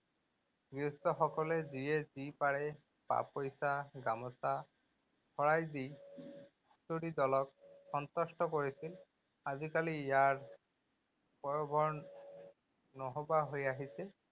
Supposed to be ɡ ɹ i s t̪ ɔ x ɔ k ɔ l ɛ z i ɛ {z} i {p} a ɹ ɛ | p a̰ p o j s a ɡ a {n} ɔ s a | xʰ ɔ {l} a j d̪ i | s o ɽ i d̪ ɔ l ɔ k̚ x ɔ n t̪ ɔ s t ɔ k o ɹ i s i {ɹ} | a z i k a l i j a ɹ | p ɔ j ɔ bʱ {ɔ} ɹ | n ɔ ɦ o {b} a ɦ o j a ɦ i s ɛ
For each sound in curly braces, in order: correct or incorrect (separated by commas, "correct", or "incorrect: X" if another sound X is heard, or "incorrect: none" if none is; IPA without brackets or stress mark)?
correct, correct, incorrect: m, incorrect: ɹ, incorrect: l, correct, correct